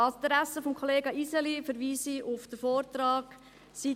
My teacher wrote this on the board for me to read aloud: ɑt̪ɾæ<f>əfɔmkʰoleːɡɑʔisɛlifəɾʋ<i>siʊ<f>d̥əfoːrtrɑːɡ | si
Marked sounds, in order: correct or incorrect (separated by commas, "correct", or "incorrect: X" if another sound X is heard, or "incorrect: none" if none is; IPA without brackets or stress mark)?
incorrect: s, incorrect: iː, correct